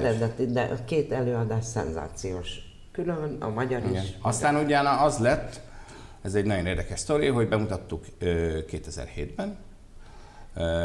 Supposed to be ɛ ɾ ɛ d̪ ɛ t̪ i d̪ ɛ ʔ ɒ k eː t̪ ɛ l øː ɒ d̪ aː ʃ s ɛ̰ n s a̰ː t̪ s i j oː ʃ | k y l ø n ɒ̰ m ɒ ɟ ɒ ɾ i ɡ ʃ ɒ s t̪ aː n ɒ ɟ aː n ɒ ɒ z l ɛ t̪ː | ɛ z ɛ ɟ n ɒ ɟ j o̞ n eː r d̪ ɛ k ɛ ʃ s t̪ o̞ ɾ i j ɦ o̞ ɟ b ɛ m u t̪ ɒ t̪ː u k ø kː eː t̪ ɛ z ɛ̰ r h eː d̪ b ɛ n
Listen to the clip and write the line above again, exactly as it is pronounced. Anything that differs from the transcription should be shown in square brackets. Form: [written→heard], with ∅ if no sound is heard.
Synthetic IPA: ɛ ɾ ɛ d̪ ɛ t̪ i d̪ ɛ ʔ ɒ k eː t̪ ɛ l øː ɒ d̪ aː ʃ s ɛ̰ n [s→z] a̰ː t̪ s i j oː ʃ | k y l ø n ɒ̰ m ɒ ɟ ɒ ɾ i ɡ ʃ ɒ s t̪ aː n [ɒ→u] ɟ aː n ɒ ɒ z l ɛ t̪ː | ɛ z ɛ ɟ n ɒ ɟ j o̞ n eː r d̪ ɛ k ɛ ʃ s t̪ o̞ ɾ i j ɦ o̞ ɟ b ɛ m u t̪ ɒ t̪ː u k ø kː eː t̪ ɛ z ɛ̰ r h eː d̪ b ɛ n